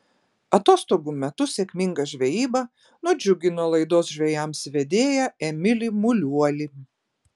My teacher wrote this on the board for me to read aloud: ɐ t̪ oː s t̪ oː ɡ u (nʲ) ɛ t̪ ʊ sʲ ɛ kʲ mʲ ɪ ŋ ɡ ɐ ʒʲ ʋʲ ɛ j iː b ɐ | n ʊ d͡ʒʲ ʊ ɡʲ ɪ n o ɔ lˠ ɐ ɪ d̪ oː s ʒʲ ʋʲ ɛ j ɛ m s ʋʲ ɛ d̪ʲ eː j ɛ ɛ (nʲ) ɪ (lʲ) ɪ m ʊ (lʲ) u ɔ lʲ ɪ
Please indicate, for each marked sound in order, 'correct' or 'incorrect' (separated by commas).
incorrect, incorrect, correct, correct